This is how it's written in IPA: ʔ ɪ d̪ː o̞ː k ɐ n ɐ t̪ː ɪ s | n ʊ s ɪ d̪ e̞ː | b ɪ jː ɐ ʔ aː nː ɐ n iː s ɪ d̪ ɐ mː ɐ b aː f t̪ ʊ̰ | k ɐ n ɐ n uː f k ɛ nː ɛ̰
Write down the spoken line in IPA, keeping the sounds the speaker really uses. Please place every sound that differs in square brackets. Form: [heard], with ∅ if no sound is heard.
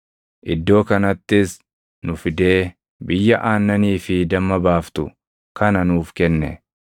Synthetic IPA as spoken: ʔ ɪ d̪ː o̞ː k ɐ n ɐ t̪ː ɪ s | n ʊ [f] ɪ d̪ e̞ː | b ɪ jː ɐ ʔ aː nː ɐ n iː [f] ɪ d̪ ɐ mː ɐ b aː f t̪ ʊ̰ | k ɐ n ɐ n uː f k ɛ nː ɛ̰